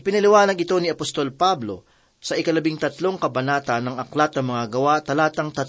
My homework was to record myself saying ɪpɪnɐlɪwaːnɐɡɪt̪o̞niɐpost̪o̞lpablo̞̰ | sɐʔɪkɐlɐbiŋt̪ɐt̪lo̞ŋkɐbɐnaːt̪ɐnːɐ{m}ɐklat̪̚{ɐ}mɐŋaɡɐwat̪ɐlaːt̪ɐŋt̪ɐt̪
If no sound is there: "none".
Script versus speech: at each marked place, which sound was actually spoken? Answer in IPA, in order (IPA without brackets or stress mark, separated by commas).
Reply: ŋ, ɐ